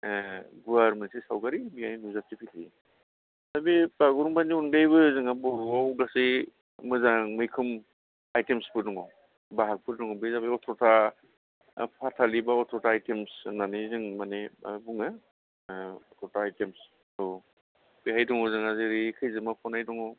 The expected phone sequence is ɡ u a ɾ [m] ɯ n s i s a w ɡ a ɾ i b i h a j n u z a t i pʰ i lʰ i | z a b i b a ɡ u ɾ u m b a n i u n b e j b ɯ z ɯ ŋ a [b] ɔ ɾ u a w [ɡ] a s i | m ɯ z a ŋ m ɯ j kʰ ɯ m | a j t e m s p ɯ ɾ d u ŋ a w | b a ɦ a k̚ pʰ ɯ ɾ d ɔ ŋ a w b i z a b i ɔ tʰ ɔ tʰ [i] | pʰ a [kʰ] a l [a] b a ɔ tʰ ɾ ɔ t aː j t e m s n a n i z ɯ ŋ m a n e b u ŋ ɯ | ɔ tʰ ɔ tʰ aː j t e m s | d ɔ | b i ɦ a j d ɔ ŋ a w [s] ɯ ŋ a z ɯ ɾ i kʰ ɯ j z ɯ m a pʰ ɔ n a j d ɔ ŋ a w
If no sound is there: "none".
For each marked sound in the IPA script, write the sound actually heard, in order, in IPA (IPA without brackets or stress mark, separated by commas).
m, b, ɡ, a, tʰ, i, z